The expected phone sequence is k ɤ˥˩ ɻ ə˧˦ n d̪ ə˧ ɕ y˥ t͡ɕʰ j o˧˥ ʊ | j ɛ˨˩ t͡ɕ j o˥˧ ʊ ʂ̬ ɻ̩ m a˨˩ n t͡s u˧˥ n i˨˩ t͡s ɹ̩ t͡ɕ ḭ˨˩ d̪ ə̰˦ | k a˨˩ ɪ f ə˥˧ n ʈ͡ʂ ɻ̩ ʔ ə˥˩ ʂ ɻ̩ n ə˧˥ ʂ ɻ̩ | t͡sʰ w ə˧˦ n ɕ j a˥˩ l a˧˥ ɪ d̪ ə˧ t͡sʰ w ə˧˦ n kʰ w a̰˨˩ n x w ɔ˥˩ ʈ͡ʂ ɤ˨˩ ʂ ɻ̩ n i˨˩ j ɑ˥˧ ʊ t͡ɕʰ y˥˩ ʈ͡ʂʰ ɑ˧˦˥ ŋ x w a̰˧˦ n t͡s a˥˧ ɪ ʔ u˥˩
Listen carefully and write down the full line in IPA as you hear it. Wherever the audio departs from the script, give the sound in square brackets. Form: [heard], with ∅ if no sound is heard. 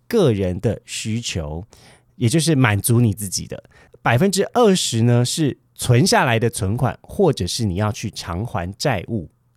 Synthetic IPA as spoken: k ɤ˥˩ ɻ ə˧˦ n d̪ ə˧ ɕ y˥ t͡ɕʰ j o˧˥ ʊ | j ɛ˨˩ t͡ɕ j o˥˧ ʊ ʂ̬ ɻ̩ m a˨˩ n t͡s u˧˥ n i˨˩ t͡s ɹ̩ t͡ɕ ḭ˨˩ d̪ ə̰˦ | [p] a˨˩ ɪ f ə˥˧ n ʈ͡ʂ ɻ̩ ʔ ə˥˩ ʂ ɻ̩ n [ə˧] ʂ ɻ̩ | t͡sʰ w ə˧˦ n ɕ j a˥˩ l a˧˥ ɪ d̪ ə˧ t͡sʰ w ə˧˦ n kʰ w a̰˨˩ n x w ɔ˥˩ ʈ͡ʂ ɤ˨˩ ʂ ɻ̩ n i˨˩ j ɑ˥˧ ʊ t͡ɕʰ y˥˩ ʈ͡ʂʰ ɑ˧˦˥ ŋ x w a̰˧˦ n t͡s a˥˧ ɪ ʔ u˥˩